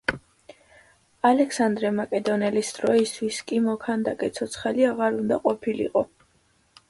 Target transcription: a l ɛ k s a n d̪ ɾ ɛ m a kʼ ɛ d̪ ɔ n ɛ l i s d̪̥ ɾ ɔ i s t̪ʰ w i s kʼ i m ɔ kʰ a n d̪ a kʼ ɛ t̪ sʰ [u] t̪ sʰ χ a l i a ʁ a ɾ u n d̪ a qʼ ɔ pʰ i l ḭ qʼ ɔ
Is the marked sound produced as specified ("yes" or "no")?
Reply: no